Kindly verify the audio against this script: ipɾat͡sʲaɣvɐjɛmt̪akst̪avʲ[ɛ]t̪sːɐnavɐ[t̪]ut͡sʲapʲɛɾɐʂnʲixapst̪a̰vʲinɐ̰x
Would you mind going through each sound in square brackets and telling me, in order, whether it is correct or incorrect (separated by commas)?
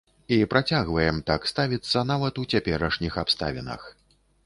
incorrect, correct